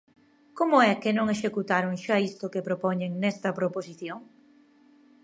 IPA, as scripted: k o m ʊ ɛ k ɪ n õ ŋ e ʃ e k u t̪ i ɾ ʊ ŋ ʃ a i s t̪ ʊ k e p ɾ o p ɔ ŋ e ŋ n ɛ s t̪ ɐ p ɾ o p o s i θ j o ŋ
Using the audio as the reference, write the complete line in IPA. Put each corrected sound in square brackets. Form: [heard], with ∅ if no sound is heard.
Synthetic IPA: k o m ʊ ɛ k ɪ n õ ŋ e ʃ e k u t̪ [a] ɾ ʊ ŋ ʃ a i s t̪ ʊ k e p ɾ o p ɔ [ɲ] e ŋ n ɛ s t̪ ɐ p ɾ o p o s i θ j o ŋ